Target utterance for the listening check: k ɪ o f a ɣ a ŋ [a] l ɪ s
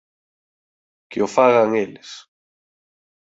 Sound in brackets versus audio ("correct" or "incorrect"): incorrect